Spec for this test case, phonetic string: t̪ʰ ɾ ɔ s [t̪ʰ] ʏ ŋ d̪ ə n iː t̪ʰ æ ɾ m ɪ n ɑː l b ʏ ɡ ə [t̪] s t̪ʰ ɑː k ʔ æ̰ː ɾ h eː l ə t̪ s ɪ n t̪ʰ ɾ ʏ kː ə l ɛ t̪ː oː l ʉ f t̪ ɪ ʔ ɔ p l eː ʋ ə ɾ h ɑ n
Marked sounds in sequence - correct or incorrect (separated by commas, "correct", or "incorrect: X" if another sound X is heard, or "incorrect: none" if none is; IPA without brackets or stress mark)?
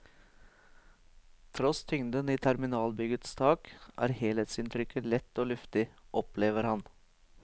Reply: correct, correct